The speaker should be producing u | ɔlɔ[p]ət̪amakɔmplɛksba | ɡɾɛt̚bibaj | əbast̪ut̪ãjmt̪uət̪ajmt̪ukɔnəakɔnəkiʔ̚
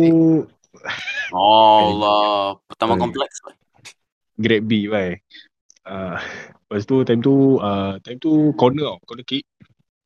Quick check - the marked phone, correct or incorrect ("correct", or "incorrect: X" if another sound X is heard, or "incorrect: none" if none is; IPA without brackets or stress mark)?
correct